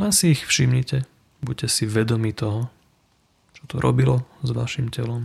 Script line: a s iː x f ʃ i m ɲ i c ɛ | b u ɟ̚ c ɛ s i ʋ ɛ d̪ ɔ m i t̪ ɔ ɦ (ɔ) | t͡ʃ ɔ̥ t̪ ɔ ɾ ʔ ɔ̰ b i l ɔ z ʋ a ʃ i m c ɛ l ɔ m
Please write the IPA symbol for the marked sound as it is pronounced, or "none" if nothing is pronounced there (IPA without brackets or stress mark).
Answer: ɔ